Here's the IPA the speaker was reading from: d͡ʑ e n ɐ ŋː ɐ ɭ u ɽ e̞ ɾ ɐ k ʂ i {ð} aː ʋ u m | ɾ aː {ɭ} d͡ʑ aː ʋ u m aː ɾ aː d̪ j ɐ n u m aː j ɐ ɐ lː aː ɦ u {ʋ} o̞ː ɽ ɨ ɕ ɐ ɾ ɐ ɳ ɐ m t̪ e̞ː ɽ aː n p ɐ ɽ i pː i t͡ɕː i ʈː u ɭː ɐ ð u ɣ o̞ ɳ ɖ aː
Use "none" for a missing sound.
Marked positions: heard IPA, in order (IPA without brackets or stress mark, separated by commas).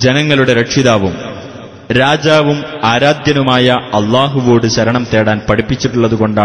ð, none, ʋ